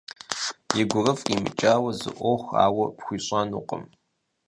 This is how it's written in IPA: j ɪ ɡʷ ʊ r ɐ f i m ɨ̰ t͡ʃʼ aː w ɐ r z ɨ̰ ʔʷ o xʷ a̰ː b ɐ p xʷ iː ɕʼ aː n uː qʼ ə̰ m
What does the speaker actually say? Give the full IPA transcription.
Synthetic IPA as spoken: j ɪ ɡʷ ʊ r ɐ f i m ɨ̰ t͡ʃʼ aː w ɐ z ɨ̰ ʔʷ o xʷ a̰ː w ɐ p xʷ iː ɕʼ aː n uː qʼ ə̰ m